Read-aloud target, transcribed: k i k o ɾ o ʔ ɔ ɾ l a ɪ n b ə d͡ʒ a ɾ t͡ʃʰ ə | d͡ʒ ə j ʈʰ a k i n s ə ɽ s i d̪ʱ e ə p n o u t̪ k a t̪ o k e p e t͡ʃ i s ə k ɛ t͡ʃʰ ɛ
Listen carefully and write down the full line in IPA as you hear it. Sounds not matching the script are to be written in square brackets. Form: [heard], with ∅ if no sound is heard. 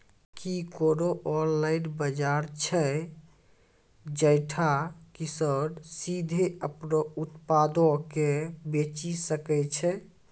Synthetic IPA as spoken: k i k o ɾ o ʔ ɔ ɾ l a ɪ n b ə d͡ʒ a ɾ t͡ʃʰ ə | d͡ʒ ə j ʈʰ a k i [∅] s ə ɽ s i d̪ʱ e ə p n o u t̪ [p] a [d̪] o k e [b] e t͡ʃ i s ə k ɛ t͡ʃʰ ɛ